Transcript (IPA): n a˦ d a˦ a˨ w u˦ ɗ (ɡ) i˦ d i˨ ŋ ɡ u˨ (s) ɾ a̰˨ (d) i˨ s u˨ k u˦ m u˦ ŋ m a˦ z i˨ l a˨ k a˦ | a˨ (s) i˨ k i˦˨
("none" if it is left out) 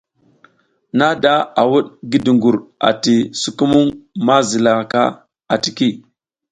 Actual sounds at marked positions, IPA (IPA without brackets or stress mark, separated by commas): ɡ, none, t, t